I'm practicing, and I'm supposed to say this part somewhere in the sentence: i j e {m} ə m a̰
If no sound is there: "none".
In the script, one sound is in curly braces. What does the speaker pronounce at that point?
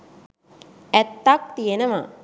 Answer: n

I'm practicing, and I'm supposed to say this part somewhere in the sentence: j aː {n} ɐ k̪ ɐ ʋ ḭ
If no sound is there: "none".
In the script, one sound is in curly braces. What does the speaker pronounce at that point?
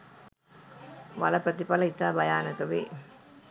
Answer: n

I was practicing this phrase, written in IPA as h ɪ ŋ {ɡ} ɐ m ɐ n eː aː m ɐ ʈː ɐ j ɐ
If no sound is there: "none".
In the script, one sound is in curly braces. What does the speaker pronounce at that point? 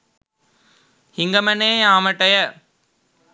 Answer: ɡ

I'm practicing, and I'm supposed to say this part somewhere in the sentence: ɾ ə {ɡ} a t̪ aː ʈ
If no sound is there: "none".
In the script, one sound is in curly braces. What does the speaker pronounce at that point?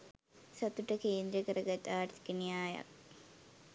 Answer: ɡ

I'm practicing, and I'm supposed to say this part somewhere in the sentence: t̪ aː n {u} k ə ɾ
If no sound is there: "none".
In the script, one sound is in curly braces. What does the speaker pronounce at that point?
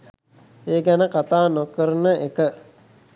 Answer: o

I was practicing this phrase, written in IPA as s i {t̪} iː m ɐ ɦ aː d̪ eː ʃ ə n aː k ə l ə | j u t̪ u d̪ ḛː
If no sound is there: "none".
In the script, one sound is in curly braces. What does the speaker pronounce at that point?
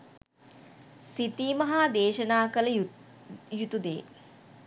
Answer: t̪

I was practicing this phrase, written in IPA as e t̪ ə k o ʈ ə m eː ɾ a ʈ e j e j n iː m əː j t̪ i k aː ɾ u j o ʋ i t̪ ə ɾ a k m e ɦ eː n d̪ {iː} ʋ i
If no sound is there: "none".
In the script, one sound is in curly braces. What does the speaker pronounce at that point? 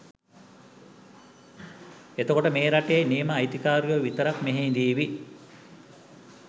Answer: iː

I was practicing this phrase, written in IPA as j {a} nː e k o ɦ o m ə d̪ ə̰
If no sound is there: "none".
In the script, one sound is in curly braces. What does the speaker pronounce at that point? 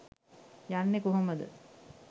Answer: a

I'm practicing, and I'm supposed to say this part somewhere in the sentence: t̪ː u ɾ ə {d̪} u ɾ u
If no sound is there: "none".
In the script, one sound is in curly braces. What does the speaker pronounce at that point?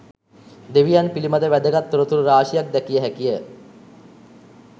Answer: t̪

